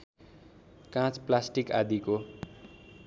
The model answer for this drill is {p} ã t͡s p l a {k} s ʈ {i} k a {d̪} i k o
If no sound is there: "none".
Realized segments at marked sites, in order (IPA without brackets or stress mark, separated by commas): k, none, i, d̪